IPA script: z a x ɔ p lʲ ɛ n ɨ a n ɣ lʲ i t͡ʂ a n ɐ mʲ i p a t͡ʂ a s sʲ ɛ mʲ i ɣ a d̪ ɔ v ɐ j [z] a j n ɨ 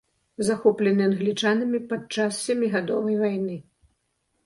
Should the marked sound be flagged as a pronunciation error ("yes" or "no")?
yes